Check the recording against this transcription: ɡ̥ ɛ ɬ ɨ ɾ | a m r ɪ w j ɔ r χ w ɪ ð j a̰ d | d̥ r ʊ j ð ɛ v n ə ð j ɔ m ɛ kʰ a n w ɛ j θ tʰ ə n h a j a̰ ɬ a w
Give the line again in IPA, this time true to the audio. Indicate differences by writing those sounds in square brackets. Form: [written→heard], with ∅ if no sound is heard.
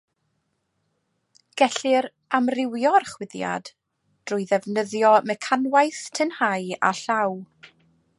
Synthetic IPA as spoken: ɡ̥ ɛ ɬ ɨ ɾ | a m r ɪ w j ɔ r χ w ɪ ð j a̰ d | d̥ r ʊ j ð ɛ v n ə ð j ɔ m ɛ kʰ a n w [ɛ→a] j θ tʰ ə n h a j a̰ ɬ a w